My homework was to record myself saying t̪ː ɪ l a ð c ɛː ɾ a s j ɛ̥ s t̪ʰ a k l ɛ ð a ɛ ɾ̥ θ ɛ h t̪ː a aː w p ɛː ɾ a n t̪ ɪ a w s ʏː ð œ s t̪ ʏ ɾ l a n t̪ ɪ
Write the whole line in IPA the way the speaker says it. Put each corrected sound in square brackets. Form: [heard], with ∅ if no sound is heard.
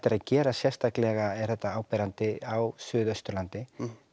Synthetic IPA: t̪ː ɪ [ɾ] a ð c ɛː ɾ a s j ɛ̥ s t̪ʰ a k l ɛ [ɣ] a ɛ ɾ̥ θ ɛ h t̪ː a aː w p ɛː ɾ a n t̪ ɪ a w s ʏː ð œ s t̪ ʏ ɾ l a n t̪ ɪ